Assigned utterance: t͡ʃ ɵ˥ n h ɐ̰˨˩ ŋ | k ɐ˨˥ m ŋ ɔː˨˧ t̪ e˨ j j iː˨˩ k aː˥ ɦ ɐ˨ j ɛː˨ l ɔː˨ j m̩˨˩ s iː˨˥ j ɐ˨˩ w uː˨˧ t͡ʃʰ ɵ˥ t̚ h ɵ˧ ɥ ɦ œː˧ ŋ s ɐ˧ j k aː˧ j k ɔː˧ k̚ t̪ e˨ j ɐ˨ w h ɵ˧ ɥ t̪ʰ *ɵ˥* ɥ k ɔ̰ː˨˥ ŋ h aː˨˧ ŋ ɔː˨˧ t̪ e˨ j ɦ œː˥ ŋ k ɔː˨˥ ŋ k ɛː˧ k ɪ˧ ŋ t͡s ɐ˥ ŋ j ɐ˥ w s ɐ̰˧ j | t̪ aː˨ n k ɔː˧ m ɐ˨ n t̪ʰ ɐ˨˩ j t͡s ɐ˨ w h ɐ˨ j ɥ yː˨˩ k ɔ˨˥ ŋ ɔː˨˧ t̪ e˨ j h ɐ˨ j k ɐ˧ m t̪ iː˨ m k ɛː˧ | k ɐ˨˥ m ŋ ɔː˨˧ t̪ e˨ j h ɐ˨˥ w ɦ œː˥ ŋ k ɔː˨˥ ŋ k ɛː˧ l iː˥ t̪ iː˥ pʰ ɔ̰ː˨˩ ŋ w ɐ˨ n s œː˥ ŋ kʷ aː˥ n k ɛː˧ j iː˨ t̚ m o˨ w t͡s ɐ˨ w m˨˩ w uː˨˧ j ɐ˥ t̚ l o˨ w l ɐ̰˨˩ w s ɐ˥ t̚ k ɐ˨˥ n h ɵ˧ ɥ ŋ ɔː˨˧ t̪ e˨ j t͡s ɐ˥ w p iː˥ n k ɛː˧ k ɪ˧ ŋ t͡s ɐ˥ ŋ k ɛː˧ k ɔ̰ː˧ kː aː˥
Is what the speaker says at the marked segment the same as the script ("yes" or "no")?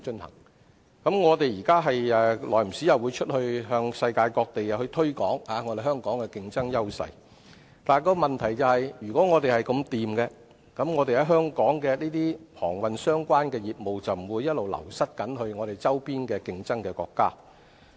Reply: yes